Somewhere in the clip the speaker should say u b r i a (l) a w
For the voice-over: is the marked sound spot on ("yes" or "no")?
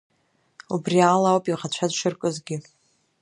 yes